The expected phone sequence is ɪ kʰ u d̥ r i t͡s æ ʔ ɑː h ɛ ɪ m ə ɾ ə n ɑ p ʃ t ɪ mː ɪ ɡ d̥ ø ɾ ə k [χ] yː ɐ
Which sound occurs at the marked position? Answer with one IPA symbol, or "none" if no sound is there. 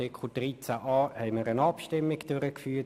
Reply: f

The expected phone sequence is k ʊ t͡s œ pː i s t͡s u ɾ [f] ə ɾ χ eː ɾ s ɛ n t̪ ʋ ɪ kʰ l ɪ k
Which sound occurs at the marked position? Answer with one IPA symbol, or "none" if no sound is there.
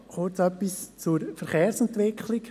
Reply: f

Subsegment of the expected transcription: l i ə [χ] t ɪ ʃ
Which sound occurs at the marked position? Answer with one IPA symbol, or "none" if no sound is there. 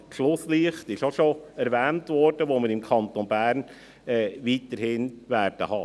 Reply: χ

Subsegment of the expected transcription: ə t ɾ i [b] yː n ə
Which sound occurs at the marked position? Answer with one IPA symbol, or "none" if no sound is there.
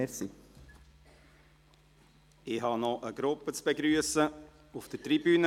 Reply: b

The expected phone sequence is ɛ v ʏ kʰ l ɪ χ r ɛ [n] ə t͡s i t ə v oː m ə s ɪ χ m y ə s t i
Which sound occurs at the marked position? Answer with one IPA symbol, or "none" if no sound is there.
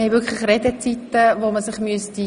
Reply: d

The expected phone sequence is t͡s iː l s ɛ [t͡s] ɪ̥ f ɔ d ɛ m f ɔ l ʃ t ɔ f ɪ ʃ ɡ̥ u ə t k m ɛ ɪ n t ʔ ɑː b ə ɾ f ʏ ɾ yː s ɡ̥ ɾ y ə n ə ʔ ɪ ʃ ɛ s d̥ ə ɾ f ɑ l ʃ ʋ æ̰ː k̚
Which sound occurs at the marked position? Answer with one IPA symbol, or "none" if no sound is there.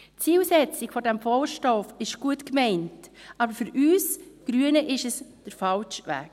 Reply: t͡s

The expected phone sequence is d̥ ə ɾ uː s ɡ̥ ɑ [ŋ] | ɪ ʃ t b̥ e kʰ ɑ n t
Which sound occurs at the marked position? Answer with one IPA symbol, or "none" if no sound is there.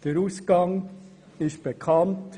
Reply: ŋ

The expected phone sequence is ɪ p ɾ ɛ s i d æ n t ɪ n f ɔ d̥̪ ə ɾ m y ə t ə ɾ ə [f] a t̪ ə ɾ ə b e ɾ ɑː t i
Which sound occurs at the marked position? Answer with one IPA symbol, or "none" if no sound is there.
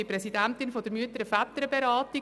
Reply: f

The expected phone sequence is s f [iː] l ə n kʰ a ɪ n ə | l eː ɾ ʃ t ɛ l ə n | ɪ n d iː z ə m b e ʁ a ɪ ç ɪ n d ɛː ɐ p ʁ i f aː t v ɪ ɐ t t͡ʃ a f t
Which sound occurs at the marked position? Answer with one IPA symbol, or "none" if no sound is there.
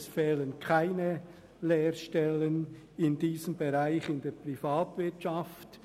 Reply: ɛː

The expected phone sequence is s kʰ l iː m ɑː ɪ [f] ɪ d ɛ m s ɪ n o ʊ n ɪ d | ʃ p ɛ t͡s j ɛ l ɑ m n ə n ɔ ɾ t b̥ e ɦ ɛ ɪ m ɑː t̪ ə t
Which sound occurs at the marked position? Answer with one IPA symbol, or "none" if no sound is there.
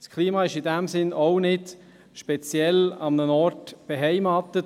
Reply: ʃ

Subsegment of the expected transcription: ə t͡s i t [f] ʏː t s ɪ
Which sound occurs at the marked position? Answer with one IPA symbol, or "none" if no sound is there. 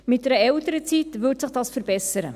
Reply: v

